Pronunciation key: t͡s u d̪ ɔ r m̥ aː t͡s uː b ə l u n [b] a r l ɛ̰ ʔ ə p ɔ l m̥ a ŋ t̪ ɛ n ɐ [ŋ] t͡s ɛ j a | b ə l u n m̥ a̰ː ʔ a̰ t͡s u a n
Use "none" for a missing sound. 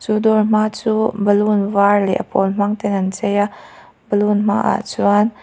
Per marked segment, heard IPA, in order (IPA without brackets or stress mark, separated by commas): v, n